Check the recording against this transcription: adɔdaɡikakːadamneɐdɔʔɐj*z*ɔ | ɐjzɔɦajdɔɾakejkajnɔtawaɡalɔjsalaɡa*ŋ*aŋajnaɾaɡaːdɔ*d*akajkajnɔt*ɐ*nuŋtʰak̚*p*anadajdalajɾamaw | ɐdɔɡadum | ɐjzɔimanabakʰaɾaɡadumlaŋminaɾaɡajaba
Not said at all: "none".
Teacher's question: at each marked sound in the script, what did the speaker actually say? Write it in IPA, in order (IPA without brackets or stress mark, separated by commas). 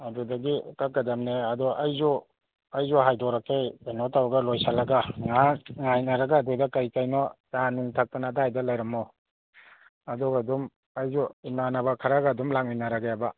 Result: z, ŋ, d, a, t